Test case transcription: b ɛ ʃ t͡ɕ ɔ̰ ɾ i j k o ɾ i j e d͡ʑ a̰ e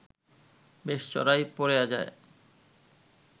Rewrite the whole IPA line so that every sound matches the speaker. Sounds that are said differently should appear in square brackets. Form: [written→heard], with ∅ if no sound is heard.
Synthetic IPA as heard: b [ɛ→e] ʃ t͡ɕ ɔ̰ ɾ [i→a] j [k→p] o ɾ [i→e] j [e→a] d͡ʑ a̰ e